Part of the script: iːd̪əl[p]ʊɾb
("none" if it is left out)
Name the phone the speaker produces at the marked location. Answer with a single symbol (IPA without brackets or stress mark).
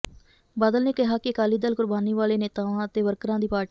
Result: k